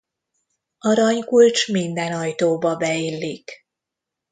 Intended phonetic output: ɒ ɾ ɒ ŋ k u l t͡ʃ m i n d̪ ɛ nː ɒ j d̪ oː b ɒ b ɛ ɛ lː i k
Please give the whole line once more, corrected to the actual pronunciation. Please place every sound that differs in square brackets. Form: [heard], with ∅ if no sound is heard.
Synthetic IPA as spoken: ɒ ɾ ɒ [ɲ] k u l t͡ʃ m i n d̪ ɛ [n] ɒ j [t̪] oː b ɒ b ɛ [i] lː i k